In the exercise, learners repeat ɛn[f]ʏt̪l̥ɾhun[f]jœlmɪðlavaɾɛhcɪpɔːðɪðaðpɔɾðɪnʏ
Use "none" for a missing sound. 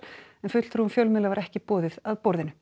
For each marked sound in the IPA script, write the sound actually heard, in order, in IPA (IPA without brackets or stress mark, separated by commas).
f, f